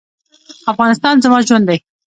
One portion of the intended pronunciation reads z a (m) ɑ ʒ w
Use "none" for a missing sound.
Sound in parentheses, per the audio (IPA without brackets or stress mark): m